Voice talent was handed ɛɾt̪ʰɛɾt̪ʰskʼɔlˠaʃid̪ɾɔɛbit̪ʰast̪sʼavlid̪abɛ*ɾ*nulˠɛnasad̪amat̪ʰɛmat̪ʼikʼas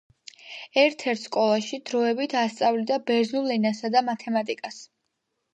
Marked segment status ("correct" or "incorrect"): correct